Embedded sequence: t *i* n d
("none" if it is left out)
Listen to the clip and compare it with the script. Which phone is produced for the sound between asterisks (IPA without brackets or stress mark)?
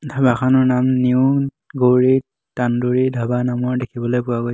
a